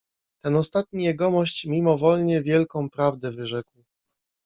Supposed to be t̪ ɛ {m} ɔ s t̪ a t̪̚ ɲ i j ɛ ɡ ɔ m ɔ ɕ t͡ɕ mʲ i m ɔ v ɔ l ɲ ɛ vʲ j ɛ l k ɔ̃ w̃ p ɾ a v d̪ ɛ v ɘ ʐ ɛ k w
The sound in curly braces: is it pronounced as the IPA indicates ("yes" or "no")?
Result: no